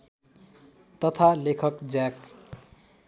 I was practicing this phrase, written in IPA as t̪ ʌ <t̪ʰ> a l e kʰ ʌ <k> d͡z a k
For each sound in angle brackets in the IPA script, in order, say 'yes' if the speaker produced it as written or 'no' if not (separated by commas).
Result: yes, yes